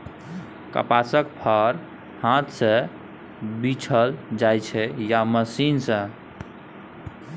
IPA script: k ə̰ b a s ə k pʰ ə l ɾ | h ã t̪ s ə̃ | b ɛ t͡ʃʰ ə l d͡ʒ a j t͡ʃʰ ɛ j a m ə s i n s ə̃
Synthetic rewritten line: k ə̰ p a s ə k pʰ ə ɾ | h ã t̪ s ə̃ | b i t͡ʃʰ ə l d͡ʒ a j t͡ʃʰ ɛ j a m ə s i n s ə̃